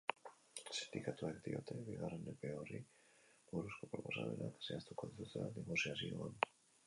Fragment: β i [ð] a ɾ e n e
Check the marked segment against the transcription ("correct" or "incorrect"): incorrect